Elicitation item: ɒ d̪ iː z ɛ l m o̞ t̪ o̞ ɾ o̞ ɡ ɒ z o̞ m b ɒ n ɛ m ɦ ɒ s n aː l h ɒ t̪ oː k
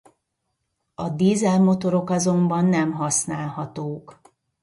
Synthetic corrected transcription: ɒ d̪ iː z ɛ l m o̞ t̪ o̞ ɾ o̞ k ɒ z o̞ m b ɒ nː ɛ m ɦ ɒ s n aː l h ɒ t̪ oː k